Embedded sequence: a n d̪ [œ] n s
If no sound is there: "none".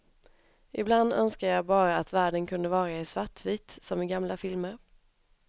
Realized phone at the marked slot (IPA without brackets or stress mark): œ